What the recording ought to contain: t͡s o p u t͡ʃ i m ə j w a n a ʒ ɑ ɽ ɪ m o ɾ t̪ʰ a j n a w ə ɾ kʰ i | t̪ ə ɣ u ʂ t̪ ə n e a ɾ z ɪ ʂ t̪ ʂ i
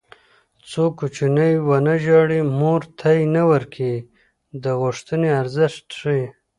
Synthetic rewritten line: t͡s o k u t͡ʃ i n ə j w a n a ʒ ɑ ɽ i m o ɾ t̪ʰ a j n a w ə ɾ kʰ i | d̪ ə ɣ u ʂ t̪ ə n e a ɾ z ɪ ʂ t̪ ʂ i